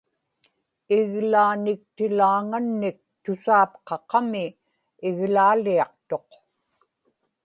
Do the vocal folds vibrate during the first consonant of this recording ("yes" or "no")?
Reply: yes